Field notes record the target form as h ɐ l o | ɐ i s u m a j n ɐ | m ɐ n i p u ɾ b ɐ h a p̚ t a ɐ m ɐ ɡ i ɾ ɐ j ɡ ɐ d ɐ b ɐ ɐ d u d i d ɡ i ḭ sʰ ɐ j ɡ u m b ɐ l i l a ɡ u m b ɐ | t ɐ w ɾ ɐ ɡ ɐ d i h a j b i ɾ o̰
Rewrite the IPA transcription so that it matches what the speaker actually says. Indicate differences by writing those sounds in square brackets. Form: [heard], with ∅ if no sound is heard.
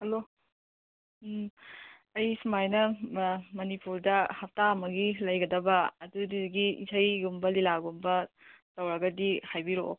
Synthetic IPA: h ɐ l o | ɐ [j] s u m a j n ɐ | m ɐ n i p u ɾ [d] ɐ h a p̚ t a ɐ m ɐ ɡ i [l] ɐ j ɡ ɐ d ɐ b ɐ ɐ d u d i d ɡ i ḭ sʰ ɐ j ɡ u m b ɐ l i l a ɡ u m b ɐ | t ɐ w ɾ ɐ ɡ ɐ d i h a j b i ɾ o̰